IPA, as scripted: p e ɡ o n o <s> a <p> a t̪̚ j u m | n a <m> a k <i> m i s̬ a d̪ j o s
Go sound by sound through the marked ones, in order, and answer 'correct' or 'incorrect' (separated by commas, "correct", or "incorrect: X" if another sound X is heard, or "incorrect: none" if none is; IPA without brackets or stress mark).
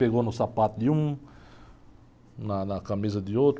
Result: correct, correct, incorrect: n, incorrect: a